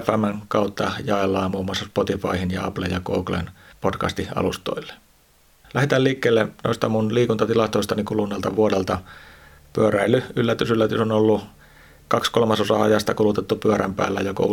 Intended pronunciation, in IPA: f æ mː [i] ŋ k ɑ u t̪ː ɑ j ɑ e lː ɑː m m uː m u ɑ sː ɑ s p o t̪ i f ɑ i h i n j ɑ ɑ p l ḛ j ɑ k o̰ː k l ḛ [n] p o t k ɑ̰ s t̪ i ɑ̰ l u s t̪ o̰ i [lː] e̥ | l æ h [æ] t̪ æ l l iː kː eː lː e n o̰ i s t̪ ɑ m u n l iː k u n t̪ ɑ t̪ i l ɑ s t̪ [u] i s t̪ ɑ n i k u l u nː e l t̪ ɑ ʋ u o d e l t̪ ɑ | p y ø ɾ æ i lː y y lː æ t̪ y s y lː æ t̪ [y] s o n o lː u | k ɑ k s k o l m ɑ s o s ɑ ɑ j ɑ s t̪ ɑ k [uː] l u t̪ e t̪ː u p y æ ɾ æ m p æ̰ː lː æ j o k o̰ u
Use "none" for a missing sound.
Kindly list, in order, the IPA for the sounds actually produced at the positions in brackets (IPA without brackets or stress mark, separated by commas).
æ, n, lː, e, o, y, u